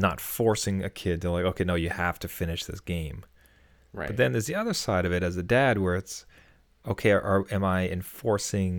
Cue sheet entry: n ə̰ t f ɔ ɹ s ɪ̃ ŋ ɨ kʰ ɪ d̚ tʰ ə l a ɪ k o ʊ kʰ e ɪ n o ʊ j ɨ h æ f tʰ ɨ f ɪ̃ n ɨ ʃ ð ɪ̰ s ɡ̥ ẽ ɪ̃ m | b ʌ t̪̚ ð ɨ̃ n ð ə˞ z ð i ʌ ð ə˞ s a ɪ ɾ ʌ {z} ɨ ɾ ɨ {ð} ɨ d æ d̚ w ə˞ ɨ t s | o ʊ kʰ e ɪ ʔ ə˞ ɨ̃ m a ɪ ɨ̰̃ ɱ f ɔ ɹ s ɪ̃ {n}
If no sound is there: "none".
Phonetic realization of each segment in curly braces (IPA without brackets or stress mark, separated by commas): v, z, ŋ